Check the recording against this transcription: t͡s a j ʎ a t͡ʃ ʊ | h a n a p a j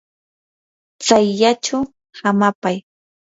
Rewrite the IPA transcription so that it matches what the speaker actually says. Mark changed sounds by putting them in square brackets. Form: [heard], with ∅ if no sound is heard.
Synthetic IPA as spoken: t͡s a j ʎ a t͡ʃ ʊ | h a [m] a p a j